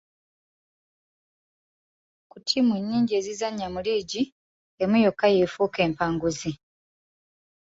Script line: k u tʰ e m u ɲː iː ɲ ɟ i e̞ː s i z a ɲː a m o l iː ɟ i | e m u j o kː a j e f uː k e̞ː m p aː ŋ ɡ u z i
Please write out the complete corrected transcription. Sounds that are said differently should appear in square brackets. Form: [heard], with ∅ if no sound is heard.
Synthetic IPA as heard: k u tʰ [i] m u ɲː iː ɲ ɟ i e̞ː [z] i z a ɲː a m [u] l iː ɟ i | e m u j o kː a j e f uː k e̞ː m p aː ŋ ɡ u z i